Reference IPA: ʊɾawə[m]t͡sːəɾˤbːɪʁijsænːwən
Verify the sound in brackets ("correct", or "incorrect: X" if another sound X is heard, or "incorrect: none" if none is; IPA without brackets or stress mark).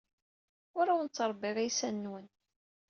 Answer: incorrect: n